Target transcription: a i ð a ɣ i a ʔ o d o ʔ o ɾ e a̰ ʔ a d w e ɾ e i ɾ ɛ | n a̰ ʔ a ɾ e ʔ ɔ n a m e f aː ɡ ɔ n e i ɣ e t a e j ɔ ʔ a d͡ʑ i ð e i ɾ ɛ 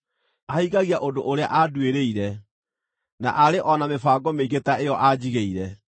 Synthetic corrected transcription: a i ɣ a ɣ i a ʔ o d o ʔ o ɾ e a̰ ʔ a d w e ɾ e i ɾ ɛ | n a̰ ʔ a ɾ e ʔ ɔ n a m e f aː ɡ ɔ m e i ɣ e t a e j ɔ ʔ a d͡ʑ i ɣ e i ɾ ɛ